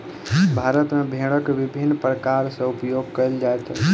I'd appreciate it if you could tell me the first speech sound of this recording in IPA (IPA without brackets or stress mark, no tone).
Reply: bʱ